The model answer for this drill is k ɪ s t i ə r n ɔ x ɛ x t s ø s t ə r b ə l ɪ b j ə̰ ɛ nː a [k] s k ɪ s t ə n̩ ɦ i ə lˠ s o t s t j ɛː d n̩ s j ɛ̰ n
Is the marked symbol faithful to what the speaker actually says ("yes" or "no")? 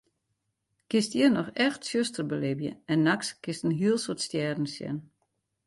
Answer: yes